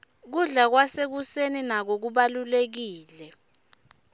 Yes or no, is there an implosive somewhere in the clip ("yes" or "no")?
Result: yes